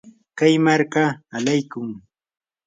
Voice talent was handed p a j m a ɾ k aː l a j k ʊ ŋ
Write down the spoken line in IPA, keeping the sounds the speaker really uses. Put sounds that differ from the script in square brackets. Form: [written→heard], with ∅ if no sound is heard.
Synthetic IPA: [p→k] a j m a ɾ k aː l a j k ʊ ŋ